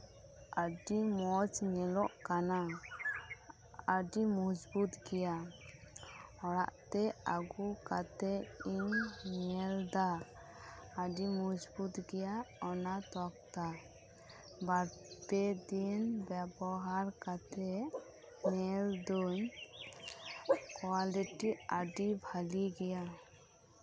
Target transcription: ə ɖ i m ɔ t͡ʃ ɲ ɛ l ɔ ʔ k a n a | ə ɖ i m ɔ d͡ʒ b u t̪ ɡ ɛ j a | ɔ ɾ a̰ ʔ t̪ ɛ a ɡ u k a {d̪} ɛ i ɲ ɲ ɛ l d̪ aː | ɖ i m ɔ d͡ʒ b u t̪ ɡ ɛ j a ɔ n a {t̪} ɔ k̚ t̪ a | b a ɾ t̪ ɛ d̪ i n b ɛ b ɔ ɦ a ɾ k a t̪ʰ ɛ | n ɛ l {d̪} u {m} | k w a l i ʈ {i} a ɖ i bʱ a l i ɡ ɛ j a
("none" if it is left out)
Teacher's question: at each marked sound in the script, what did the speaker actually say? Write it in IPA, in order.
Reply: t̪, t̪, d̪, ɲ, i

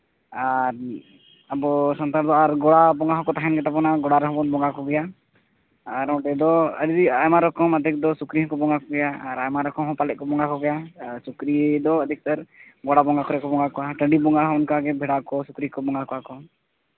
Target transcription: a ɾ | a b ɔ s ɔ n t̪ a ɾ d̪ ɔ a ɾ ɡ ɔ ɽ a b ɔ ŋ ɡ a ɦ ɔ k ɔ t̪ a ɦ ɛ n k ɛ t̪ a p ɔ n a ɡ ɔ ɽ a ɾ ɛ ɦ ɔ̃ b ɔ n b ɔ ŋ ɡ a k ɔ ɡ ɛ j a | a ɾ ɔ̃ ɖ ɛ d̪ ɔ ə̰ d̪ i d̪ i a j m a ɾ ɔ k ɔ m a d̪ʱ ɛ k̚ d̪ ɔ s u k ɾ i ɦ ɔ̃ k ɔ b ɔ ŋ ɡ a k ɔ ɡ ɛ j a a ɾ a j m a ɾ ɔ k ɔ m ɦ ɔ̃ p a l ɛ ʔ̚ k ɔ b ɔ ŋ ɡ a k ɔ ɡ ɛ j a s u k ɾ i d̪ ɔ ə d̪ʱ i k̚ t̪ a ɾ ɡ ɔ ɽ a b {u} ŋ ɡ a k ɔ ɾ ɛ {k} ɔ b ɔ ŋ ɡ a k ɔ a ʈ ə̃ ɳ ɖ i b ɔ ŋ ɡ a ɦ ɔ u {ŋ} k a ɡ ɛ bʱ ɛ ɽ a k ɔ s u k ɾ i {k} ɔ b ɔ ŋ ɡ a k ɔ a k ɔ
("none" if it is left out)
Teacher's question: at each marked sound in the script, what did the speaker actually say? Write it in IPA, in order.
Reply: ɔ, k, n, k

